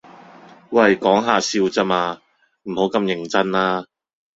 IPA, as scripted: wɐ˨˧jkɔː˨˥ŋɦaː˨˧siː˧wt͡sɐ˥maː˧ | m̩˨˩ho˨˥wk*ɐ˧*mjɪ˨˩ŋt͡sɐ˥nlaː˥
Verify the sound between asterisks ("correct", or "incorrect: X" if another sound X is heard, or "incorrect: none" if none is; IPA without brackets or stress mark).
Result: correct